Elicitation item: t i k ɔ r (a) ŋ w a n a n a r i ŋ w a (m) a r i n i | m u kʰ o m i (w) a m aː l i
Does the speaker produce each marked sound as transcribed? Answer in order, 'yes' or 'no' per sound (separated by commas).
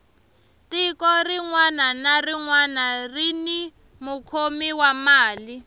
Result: no, no, yes